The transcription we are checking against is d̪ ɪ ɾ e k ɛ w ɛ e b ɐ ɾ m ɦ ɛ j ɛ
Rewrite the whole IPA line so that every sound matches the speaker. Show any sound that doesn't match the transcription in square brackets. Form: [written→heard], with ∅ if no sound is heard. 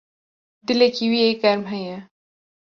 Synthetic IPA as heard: d̪ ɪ [ɾ→l] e k [ɛ→i] w [ɛ→i] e [b→ɡ] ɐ ɾ m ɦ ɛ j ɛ

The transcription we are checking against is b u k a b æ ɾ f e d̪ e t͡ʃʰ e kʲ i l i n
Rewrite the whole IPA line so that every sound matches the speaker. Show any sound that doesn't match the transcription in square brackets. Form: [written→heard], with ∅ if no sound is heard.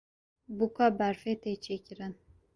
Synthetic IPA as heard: b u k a b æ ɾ f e [d̪→t̪] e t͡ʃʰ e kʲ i [l→ɾ] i n

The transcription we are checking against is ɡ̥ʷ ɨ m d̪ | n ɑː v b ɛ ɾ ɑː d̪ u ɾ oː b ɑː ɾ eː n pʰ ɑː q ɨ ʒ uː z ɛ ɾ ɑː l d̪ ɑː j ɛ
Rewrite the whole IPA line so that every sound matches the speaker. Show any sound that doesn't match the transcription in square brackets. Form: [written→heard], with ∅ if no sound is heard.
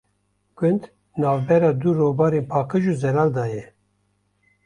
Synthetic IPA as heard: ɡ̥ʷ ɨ [m→n] d̪ | n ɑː v b ɛ ɾ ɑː d̪ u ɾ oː b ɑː ɾ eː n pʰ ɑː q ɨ ʒ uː z ɛ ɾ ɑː l d̪ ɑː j ɛ

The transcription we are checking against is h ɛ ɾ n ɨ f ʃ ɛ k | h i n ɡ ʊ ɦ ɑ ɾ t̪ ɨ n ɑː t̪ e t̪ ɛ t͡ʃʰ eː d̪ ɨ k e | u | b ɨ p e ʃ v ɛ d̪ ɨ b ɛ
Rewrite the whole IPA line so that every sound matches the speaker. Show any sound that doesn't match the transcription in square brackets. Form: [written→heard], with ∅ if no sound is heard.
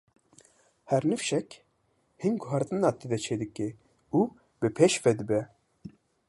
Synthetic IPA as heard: h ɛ ɾ n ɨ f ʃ ɛ k | h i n ɡ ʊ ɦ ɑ ɾ t̪ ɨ n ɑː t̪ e [t̪→d̪] ɛ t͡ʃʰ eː d̪ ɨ k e | u | b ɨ [p→pʰ] e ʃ v ɛ d̪ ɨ b ɛ

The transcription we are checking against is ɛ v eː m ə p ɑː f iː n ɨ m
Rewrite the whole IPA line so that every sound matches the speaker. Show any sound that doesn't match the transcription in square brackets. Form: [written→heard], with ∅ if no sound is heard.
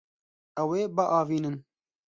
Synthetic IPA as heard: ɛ [v→w] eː [m→b] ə [p→ʔ] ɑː [f→v] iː n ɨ [m→n]

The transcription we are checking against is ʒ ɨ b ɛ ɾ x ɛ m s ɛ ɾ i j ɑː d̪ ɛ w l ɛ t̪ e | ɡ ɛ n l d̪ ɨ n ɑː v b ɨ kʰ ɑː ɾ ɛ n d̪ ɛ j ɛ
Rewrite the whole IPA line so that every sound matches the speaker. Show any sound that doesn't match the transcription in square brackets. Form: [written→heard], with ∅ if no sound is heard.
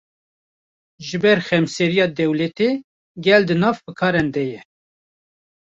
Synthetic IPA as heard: ʒ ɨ b ɛ ɾ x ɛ m s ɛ ɾ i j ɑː d̪ ɛ w l ɛ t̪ e | ɡ ɛ [n→∅] l d̪ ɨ n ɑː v b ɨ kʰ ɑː ɾ ɛ n d̪ ɛ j ɛ

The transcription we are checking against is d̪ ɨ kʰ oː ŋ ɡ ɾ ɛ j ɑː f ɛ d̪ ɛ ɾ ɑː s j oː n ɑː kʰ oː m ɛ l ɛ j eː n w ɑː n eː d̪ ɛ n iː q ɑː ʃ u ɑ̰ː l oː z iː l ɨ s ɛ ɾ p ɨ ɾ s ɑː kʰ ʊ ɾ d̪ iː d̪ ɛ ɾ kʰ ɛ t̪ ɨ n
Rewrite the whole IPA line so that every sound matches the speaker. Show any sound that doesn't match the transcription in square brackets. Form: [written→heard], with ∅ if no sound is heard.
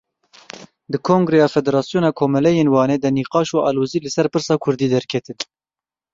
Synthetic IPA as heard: d̪ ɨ kʰ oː ŋ ɡ ɾ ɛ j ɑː f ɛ d̪ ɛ ɾ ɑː s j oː n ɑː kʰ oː m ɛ l ɛ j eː n w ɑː n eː d̪ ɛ n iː q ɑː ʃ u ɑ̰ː l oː z iː l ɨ s ɛ ɾ p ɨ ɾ s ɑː kʰ ʊ ɾ d̪ iː d̪ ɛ ɾ kʰ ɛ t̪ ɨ n

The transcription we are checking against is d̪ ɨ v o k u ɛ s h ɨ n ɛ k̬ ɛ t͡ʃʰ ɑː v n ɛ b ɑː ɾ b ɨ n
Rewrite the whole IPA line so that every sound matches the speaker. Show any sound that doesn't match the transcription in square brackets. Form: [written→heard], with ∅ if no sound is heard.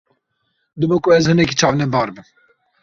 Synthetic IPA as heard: d̪ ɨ [v→b] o k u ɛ [s→z] h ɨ n ɛ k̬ [ɛ→i] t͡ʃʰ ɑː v n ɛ b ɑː ɾ b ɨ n

